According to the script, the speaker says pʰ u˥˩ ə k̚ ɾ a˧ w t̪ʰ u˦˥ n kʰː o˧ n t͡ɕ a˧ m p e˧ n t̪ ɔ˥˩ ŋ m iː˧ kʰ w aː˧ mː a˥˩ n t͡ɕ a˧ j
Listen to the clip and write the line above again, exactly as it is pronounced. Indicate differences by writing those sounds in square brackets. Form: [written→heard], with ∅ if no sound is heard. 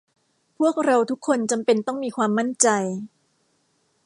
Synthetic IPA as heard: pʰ u˥˩ ə k̚ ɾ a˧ w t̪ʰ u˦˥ [n→∅] kʰː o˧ n t͡ɕ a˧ m p e˧ n t̪ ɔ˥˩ ŋ m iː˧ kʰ w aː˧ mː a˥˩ n t͡ɕ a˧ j

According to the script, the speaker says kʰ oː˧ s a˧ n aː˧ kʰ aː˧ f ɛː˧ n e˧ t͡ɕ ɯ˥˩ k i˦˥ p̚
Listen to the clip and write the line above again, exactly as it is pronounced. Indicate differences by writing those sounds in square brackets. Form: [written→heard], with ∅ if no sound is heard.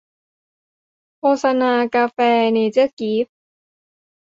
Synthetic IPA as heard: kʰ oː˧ s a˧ n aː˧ [kʰ→k] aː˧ f ɛː˧ n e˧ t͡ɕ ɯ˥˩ k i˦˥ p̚

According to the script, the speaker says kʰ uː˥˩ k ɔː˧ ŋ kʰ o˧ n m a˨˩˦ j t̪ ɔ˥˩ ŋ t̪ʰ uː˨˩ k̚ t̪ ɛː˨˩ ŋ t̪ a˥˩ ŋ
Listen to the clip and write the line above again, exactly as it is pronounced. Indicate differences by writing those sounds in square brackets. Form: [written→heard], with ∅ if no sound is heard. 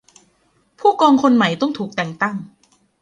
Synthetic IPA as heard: [kʰ→pʰ] uː˥˩ k ɔː˧ ŋ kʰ o˧ n m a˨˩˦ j t̪ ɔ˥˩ ŋ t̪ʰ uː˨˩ k̚ t̪ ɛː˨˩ ŋ t̪ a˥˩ ŋ

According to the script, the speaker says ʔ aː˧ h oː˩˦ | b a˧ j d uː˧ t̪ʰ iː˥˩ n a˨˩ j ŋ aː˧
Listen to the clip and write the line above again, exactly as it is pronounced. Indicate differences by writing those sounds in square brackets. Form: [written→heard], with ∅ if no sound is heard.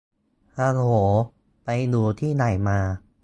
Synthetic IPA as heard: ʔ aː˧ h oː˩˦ | [b→p] a˧ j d uː˧ t̪ʰ iː˥˩ n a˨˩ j [ŋ→m] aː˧

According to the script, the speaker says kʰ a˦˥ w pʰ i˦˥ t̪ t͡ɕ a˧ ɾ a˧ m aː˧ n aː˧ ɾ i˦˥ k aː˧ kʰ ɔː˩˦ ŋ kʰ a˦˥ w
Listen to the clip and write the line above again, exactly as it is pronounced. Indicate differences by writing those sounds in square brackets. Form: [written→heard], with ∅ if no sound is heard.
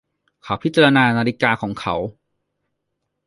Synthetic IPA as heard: kʰ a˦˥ w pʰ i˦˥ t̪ t͡ɕ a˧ ɾ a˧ [m→n] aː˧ n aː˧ ɾ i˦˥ k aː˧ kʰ ɔː˩˦ ŋ kʰ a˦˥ w

